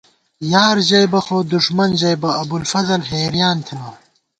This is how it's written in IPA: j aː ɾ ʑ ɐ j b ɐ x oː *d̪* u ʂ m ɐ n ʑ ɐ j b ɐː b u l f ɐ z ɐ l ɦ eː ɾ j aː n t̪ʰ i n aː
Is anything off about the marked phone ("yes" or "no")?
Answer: no